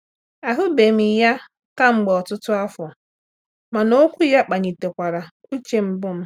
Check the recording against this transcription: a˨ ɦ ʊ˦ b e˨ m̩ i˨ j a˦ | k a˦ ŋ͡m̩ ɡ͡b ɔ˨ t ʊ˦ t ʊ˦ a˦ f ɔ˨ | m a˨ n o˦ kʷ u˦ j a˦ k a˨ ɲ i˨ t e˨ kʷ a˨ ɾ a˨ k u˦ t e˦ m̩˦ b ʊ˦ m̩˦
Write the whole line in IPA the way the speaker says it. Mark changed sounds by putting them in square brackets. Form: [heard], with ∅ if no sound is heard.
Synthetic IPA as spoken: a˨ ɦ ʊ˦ b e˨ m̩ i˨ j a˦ | k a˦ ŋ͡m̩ ɡ͡b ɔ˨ t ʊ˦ t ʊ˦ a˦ f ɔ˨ | m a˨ n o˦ kʷ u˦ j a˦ [k͡p] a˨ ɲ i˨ t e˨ kʷ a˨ ɾ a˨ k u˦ [t͡ʃ] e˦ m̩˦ b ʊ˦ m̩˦